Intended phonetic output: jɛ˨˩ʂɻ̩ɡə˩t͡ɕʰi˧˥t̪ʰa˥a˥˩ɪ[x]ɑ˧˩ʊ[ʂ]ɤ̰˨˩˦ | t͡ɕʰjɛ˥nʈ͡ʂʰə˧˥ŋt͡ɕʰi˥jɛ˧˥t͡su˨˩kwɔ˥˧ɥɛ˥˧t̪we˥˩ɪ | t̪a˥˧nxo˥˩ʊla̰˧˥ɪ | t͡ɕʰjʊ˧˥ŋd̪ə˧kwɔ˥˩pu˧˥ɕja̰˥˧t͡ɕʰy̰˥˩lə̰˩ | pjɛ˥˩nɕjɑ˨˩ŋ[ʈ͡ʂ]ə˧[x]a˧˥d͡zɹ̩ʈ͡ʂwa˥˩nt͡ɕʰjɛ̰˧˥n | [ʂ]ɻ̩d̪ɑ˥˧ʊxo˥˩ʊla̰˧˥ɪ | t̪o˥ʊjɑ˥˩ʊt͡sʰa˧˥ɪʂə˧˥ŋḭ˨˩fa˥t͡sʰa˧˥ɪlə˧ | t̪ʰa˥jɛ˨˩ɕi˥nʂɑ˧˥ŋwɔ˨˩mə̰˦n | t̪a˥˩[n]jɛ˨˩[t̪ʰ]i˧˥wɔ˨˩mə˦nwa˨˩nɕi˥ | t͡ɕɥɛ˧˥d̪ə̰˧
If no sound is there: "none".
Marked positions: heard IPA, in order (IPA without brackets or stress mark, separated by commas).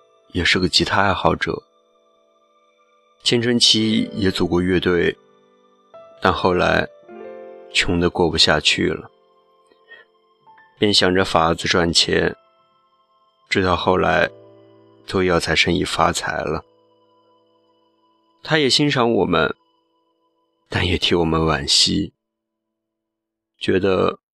x, ʈ͡ʂ, ʈ͡ʂ, f, ʈ͡ʂ, n, t̪ʰ